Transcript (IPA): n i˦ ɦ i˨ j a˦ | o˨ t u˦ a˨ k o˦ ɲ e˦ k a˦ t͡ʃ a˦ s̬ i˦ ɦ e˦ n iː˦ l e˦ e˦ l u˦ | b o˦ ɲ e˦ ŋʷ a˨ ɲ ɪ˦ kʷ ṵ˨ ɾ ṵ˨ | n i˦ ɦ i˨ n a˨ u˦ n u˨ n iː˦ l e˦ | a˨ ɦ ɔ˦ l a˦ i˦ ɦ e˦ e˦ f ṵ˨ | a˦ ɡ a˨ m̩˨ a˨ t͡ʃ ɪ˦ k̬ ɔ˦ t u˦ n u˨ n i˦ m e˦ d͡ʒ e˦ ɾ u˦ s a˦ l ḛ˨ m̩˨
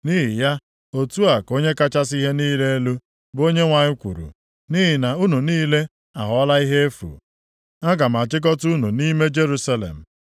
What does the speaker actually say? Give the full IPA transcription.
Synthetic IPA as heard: n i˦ ɦ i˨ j a˦ | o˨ t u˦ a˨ k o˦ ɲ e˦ k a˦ t͡ʃ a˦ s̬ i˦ ɦ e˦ n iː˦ l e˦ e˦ l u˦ | b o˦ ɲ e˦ ŋʷ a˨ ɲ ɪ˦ kʷ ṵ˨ ɾ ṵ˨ | n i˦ ɦ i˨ n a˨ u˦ n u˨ n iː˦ l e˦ | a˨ ɦ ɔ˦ l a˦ i˦ ɦ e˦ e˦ f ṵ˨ | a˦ ɡ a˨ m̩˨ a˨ t͡ʃ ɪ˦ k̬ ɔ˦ t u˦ n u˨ n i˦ m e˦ d͡ʒ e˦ ɾ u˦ s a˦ l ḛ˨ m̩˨

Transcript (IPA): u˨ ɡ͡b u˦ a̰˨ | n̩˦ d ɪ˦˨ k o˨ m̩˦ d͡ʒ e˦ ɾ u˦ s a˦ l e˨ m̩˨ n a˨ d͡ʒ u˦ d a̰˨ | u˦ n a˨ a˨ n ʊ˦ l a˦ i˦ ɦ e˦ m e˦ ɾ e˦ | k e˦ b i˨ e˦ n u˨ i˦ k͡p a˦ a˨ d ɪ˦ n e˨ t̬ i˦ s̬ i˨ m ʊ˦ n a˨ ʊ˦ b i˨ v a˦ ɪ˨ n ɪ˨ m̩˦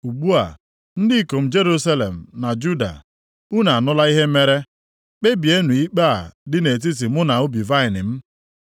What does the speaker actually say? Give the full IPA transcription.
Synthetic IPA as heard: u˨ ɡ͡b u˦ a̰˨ | n̩˦ d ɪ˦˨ k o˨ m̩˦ d͡ʒ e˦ ɾ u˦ s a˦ l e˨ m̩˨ n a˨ d͡ʒ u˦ d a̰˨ | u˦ n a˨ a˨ n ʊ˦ l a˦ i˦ ɦ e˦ m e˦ ɾ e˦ | k͡p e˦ b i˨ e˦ n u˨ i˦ k͡p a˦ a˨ d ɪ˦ n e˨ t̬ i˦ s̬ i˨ m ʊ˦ n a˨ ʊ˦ b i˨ v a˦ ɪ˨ n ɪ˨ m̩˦

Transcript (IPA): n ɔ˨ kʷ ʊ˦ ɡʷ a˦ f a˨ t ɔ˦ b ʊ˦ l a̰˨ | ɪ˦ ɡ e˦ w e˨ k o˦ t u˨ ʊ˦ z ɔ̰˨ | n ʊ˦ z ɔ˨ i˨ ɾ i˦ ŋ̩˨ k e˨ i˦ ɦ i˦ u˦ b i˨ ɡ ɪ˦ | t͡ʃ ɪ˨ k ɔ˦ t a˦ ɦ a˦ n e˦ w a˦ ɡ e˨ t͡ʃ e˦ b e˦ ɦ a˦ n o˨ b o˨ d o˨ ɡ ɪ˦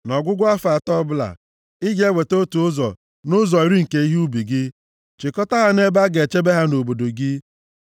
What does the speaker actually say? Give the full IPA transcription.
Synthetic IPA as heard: n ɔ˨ ɡʷ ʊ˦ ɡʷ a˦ f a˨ t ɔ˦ b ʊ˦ l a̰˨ | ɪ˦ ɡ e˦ w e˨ t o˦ t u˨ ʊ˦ z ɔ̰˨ | n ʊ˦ z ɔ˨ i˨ ɾ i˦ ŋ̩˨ k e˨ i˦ ɦ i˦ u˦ b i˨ ɡ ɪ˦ | t͡ʃ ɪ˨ k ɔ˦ t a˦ ɦ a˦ n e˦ b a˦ ɡ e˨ t͡ʃ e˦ b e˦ ɦ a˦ n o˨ b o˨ d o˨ ɡ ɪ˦

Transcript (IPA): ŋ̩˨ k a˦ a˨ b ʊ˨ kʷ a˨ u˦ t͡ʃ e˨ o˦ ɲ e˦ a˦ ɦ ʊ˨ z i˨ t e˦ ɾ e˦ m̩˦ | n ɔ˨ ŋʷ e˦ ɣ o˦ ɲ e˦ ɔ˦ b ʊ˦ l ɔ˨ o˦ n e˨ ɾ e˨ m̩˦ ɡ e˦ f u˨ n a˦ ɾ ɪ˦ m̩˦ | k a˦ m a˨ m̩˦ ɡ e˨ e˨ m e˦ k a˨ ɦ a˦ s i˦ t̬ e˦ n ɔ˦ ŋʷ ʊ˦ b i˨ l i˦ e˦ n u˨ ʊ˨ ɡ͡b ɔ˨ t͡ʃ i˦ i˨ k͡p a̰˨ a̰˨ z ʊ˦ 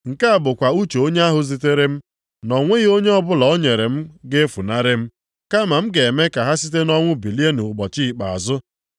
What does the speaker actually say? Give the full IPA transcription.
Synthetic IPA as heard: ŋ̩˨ k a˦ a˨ b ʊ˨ kʷ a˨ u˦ t͡ʃ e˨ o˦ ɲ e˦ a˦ ɦ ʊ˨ z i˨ t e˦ ɾ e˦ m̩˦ | n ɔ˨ ŋʷ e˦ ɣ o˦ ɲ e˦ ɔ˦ b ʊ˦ l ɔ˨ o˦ ɲ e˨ ɾ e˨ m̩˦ ɡ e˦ f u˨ n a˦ ɾ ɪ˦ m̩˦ | k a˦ m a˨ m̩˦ ɡ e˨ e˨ m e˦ k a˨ ɦ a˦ s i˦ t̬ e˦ n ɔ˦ ŋʷ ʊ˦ b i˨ l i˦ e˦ n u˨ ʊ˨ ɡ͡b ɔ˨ t͡ʃ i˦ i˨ k͡p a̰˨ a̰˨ z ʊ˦

